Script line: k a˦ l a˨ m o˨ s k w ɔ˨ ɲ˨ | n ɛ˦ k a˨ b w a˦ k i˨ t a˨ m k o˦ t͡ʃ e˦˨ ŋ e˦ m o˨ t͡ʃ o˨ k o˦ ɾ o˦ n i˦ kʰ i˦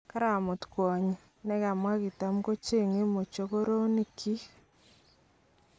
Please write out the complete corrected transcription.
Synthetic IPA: k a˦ ɾ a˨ m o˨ t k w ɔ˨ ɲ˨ | n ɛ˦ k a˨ m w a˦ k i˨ t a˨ m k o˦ t͡ʃ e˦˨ ŋ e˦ m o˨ t͡ʃ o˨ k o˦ ɾ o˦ n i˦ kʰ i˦